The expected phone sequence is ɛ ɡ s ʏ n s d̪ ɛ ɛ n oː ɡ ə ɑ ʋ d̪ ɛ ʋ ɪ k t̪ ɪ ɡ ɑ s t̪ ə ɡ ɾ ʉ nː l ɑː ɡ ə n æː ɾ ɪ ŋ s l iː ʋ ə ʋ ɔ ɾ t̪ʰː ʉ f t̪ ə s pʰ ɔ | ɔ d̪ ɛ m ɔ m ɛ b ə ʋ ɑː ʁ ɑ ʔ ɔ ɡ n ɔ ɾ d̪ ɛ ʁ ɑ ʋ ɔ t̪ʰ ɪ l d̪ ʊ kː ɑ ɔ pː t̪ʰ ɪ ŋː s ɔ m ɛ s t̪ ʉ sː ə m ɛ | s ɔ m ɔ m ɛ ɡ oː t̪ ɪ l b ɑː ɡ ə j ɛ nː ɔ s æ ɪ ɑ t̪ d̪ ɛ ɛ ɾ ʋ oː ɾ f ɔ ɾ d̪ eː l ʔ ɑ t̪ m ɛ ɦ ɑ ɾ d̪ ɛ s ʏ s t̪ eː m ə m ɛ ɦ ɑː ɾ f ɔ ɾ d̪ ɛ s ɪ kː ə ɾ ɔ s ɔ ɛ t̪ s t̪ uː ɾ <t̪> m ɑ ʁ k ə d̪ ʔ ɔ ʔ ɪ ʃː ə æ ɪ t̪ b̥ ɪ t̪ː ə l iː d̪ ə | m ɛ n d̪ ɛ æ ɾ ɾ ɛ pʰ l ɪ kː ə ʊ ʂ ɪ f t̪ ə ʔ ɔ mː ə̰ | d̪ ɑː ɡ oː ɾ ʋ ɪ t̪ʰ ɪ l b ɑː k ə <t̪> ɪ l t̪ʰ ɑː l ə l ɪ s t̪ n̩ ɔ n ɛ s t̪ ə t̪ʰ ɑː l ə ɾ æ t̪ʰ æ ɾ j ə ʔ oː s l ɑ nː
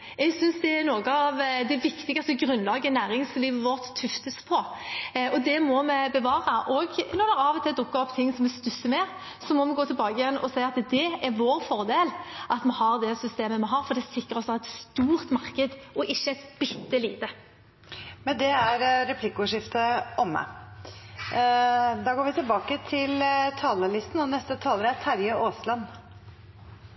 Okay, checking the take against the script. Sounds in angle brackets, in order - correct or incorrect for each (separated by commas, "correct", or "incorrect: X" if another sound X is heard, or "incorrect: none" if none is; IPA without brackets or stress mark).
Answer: correct, incorrect: t̪ʰ